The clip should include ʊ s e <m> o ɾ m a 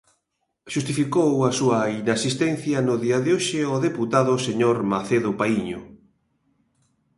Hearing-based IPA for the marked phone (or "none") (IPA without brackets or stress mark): ɲ